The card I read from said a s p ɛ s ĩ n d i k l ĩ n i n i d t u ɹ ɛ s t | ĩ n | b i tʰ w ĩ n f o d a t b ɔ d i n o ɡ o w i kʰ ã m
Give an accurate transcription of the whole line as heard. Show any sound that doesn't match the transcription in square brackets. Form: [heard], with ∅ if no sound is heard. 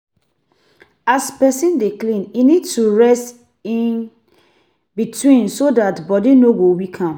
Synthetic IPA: a s p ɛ s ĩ n d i k l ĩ n i n i d t u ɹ ɛ s t | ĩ n | b i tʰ w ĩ n [s] o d a t b ɔ d i n o ɡ o w i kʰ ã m